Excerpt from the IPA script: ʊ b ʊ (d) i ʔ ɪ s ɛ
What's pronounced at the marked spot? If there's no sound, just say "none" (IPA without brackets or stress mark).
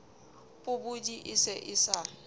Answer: d